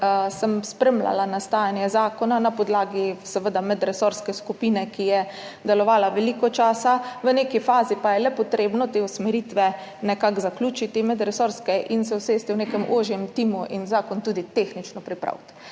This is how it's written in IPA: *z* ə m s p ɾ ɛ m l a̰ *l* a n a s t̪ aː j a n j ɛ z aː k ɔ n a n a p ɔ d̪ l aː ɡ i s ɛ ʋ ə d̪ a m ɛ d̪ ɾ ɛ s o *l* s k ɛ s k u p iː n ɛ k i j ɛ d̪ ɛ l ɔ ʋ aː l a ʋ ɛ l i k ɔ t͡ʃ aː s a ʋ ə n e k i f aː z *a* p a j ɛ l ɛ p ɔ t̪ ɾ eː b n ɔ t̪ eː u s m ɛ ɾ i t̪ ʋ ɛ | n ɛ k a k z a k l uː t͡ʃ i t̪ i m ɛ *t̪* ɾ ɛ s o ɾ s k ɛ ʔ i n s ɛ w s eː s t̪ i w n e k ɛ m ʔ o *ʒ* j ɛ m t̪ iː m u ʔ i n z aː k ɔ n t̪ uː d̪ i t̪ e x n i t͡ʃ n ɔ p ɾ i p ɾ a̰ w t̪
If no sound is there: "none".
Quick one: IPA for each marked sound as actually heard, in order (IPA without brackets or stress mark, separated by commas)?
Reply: s, l, ɾ, i, d̪, ʒ